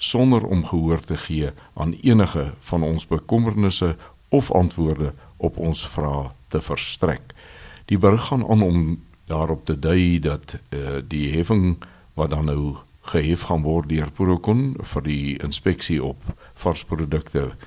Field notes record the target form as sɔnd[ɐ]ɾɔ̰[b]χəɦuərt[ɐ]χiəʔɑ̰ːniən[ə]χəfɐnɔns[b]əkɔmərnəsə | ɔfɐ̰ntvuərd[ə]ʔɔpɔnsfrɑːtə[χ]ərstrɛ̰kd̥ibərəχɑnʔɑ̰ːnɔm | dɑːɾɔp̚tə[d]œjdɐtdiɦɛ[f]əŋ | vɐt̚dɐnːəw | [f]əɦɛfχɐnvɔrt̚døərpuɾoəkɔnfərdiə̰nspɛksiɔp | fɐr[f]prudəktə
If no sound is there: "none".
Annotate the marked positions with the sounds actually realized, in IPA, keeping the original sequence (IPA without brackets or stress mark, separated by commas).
ə, m, ə, ə, b, ə, f, d, f, χ, s